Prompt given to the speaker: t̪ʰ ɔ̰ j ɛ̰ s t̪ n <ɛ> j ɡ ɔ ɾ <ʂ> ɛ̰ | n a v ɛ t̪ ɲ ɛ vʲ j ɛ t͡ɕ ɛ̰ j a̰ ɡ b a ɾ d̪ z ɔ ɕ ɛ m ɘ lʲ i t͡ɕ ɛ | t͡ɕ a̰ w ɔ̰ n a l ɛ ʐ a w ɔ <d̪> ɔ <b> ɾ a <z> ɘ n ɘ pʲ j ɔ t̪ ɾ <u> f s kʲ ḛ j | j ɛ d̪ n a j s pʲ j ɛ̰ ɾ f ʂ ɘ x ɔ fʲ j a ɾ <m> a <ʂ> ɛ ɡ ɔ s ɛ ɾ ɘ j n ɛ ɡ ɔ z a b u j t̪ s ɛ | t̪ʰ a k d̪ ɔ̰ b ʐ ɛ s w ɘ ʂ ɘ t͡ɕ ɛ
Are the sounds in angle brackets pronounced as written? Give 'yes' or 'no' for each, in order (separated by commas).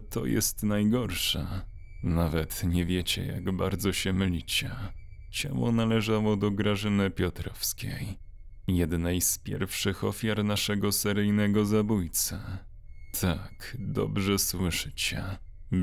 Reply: no, yes, yes, no, no, no, no, yes